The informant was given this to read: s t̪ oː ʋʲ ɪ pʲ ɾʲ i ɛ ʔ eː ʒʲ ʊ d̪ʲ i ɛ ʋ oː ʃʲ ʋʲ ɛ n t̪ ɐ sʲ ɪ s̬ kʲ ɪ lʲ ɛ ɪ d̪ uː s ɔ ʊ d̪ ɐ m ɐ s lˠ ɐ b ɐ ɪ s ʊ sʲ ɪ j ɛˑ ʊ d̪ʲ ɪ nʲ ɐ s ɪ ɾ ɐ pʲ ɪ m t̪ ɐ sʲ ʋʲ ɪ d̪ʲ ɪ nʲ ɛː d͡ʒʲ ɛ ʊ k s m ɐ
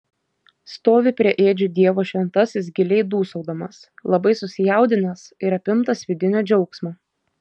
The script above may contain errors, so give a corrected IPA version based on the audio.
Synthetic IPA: s t̪ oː ʋʲ ɪ pʲ ɾʲ i ɛ ʔ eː d͡ʒʲ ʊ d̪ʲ i ɛ ʋ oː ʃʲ ʋʲ ɛ n t̪ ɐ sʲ ɪ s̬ ɡʲ ɪ lʲ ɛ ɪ d̪ uː s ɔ ʊ d̪ ɐ m ɐ s lˠ ɐ b ɐ ɪ s ʊ sʲ ɪ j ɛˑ ʊ d̪ʲ ɪ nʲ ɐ s ɪ ɾ ɐ pʲ ɪ m t̪ ɐ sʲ ʋʲ ɪ d̪ʲ ɪ nʲ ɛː d͡ʒʲ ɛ ʊ k s m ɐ